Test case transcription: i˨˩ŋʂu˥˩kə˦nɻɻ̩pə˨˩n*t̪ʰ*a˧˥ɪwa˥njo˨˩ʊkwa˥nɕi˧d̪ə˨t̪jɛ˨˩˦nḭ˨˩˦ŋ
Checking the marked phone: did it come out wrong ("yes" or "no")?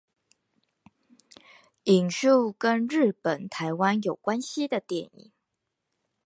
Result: no